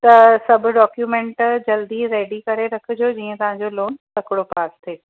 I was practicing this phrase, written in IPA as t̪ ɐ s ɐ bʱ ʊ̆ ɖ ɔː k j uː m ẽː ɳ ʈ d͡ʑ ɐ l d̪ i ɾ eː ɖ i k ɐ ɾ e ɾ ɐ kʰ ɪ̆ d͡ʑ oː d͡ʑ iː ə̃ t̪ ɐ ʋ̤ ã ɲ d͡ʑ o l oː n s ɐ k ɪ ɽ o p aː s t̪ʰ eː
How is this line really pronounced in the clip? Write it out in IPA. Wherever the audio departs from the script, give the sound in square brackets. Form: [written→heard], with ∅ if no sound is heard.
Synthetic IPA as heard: t̪ ɐ s ɐ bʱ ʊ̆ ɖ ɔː k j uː m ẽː ɳ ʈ d͡ʑ ɐ l d̪ i ɾ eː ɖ i k ɐ ɾ e ɾ ɐ kʰ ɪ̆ d͡ʑ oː d͡ʑ iː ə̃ t̪ ɐ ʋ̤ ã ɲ d͡ʑ o l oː n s ɐ k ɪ ɽ o p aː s t̪ʰ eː